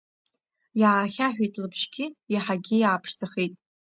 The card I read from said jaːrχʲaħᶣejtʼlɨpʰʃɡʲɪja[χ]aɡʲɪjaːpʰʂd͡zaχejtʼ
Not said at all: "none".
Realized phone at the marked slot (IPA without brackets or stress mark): ħ